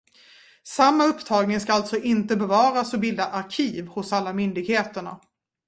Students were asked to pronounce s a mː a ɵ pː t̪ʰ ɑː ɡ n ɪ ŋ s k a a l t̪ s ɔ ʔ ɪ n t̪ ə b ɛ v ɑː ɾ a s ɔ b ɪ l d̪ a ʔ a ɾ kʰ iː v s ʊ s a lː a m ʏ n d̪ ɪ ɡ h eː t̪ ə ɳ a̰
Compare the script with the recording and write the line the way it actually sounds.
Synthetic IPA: s a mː a ɵ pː t̪ʰ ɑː ɡ n ɪ ŋ s k a a l t̪ s ɔ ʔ ɪ n t̪ ə b ɛ v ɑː ɾ a s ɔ b ɪ l d̪ a ʔ a ɾ kʰ iː v h ʊ s a lː a m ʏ n d̪ ɪ ɡ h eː t̪ ə ɳ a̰